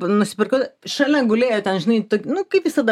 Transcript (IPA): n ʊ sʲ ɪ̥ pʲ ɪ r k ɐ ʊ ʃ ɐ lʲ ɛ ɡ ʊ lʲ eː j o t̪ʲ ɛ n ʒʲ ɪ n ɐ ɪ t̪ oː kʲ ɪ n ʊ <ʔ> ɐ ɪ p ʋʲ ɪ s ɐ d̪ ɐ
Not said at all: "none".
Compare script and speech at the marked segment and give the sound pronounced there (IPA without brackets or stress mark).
k